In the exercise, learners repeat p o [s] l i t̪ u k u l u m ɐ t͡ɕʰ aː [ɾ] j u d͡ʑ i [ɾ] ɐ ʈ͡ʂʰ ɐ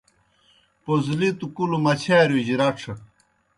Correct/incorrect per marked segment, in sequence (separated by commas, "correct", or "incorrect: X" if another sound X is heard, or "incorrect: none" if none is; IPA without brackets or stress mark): incorrect: z, correct, correct